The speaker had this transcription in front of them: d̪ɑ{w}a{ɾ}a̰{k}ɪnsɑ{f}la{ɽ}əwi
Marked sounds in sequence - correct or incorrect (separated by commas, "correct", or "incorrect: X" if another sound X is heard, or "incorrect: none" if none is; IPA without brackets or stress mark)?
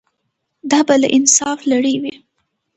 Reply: incorrect: b, incorrect: l, incorrect: ʔ, correct, correct